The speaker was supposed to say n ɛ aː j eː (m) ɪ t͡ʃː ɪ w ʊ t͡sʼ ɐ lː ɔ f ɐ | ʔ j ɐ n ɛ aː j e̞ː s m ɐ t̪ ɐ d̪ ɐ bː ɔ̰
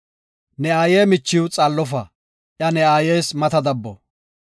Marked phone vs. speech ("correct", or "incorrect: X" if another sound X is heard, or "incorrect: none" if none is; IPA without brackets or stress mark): correct